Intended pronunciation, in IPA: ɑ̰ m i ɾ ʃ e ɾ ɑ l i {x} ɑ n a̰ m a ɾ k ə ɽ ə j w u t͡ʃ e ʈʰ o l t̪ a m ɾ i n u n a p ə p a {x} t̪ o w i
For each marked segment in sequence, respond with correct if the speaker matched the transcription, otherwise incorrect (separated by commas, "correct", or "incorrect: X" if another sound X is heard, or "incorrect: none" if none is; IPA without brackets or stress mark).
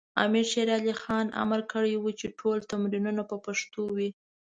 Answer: correct, incorrect: ʂ